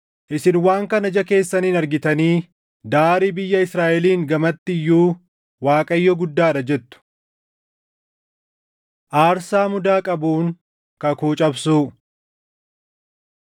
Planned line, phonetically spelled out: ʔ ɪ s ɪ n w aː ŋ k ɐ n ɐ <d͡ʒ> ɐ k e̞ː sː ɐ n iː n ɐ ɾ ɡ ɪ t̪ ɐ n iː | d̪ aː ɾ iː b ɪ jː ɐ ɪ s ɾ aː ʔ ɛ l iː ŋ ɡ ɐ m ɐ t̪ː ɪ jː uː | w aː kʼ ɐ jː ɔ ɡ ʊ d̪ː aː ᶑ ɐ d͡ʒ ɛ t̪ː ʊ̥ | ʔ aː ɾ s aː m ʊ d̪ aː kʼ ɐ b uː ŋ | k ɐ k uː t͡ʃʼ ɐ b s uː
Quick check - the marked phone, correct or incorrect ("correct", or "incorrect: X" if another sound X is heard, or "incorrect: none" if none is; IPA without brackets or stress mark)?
correct